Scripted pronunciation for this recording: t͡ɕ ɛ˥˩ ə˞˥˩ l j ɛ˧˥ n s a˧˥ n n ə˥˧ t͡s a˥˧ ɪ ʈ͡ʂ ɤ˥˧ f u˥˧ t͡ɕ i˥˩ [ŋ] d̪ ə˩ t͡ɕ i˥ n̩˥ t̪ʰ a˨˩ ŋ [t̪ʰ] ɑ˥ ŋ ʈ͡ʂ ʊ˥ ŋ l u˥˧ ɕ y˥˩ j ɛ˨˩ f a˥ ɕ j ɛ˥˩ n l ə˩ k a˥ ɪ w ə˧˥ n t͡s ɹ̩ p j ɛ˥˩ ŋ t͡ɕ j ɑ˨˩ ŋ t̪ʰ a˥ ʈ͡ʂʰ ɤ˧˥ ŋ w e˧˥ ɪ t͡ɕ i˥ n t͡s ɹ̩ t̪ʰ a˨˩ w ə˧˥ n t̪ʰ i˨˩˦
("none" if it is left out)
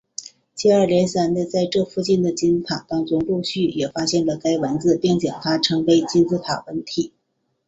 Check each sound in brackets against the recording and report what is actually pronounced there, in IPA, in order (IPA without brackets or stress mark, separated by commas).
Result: n, t̪